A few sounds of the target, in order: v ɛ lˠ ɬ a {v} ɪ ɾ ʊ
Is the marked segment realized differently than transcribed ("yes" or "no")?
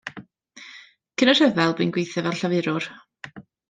no